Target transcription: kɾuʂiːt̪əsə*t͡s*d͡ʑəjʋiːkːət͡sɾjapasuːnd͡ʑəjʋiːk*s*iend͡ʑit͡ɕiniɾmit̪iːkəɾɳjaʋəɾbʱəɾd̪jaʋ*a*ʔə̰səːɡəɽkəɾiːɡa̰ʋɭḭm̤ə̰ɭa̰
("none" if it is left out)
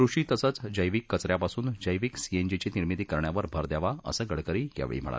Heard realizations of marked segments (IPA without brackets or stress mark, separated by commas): t͡s, s, a